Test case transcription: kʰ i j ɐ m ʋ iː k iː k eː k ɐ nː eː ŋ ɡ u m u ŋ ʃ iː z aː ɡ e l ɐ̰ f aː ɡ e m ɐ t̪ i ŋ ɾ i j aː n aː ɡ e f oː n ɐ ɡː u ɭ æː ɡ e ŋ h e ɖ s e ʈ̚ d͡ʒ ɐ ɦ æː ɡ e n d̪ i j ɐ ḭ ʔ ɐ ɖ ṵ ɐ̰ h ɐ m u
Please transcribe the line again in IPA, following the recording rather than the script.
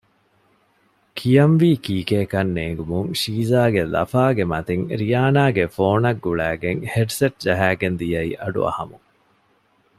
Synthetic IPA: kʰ i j ɐ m ʋ iː k iː k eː k ɐ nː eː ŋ ɡ u m u ŋ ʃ iː z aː ɡ e l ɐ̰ f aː ɡ e m ɐ t̪ i ŋ ɾ i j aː n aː ɡ e f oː n ɐ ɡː u ɭ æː ɡ e ŋ h e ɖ s e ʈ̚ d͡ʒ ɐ ɦ æː ɡ e n d̪ i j ɐ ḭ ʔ ɐ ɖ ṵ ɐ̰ h ɐ m u